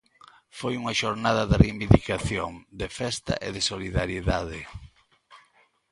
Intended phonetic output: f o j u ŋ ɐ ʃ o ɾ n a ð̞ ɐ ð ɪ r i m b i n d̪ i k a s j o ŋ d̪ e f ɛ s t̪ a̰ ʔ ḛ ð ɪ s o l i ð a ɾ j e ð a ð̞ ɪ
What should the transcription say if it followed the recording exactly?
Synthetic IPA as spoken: f o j u ŋ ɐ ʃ o ɾ n a ð̞ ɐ ð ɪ r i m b i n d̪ i k a θ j o ŋ d̪ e f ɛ s t̪ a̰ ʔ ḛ ð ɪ s o l i ð a ɾ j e ð a ð̞ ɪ